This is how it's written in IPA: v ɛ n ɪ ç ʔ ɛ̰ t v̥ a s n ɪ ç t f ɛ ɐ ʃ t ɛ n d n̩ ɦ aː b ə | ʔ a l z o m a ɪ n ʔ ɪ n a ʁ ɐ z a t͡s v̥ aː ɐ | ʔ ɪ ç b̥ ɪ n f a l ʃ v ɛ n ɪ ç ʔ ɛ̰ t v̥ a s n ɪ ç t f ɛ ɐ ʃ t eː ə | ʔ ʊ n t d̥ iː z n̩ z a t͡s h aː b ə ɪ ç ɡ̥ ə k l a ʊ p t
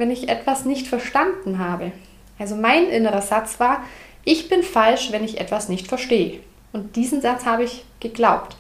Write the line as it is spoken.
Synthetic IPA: v ɛ n ɪ ç ʔ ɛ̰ t v̥ a s n ɪ ç t f ɛ ɐ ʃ t a n d n̩ ɦ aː b ə | ʔ a l z o m a ɪ n ʔ ɪ n ə ʁ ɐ z a t͡s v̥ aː ɐ | ʔ ɪ ç b̥ ɪ n f a l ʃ v ɛ n ɪ ç ʔ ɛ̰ t v̥ a s n ɪ ç t f ɛ ɐ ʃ t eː ə | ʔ ʊ n t d̥ iː z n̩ z a t͡s h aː b ə ɪ ç ɡ̥ ə ɡ l a ʊ p t